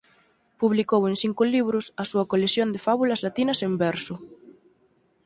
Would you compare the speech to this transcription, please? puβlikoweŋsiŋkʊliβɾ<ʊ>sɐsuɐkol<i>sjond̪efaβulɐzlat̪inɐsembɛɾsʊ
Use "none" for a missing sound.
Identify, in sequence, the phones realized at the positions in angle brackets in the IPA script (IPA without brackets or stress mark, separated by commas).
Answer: ʊ, e